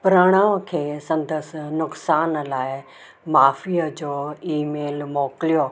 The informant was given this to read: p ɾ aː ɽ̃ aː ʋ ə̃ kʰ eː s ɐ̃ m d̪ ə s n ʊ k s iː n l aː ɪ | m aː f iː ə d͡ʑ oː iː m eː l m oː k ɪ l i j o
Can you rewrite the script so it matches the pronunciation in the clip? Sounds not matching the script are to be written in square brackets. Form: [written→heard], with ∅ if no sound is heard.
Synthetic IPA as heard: p ɾ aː ɽ̃ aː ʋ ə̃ kʰ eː s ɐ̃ [m→n] d̪ ə s n ʊ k s [iː→aː] n l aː ɪ | m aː f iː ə d͡ʑ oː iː m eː l m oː k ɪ l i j o